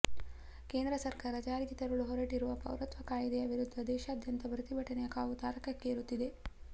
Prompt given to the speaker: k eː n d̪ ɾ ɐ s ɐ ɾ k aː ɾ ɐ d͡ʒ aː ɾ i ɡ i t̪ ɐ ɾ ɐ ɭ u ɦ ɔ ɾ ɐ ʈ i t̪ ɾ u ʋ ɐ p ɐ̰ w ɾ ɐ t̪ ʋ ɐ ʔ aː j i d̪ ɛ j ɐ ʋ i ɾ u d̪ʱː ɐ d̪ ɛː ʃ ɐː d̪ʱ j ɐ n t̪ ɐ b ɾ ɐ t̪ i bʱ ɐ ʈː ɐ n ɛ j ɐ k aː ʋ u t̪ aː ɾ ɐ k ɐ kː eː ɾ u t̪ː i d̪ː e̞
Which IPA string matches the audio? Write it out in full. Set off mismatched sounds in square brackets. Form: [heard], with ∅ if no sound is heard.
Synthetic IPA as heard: k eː n d̪ ɾ ɐ s ɐ ɾ k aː ɾ ɐ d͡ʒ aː ɾ i ɡ i t̪ ɐ ɾ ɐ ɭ u ɦ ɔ ɾ ɐ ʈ i [∅] ɾ u ʋ ɐ p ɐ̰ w ɾ ɐ t̪ ʋ ɐ [k] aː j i d̪ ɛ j ɐ ʋ i ɾ u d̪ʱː ɐ d̪ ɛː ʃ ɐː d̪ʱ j ɐ n t̪ ɐ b ɾ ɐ t̪ i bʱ ɐ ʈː ɐ n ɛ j ɐ k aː ʋ u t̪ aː ɾ ɐ k ɐ kː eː ɾ u t̪ː i [d̪] e̞